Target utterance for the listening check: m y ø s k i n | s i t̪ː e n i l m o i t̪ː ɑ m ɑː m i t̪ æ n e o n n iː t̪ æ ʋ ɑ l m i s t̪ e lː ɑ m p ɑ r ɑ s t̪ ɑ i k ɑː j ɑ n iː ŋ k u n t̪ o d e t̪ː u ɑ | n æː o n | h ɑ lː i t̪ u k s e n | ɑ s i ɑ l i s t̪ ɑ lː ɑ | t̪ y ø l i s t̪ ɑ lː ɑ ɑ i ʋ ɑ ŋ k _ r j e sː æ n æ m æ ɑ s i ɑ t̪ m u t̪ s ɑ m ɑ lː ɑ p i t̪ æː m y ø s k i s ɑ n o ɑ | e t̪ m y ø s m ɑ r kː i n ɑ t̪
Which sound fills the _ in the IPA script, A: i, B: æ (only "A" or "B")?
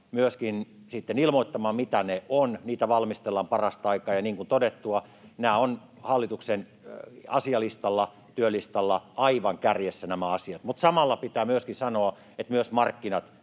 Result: B